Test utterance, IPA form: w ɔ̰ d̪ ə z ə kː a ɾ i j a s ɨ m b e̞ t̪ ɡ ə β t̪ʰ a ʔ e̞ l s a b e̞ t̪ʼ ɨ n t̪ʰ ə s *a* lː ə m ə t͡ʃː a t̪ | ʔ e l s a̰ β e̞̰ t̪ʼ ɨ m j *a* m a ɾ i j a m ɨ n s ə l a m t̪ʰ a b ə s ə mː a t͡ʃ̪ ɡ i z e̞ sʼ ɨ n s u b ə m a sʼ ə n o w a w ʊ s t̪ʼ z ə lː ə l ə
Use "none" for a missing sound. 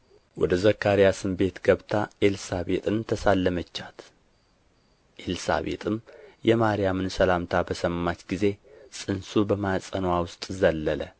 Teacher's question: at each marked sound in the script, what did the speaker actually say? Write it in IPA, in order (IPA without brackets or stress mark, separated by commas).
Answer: a, ɛ